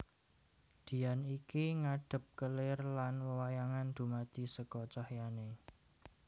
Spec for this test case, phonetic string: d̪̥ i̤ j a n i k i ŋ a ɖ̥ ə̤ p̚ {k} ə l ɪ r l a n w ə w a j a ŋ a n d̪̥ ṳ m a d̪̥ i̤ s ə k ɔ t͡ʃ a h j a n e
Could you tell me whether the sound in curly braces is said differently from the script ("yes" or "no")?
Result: no